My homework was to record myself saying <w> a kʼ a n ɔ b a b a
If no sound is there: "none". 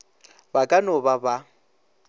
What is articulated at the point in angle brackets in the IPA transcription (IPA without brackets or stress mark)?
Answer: b